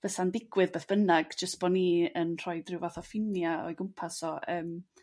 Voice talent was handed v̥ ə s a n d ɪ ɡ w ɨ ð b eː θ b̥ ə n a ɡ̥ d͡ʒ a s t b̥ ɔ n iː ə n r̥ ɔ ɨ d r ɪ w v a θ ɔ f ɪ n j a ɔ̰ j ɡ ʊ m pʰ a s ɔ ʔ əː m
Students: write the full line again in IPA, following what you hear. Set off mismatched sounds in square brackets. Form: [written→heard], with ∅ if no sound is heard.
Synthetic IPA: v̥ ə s a n d ɪ ɡ w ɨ ð b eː θ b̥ ə n a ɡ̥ d͡ʒ [a→ə] s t b̥ ɔ n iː ə n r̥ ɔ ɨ d r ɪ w v a θ ɔ f ɪ n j a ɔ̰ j ɡ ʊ m pʰ a s ɔ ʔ əː m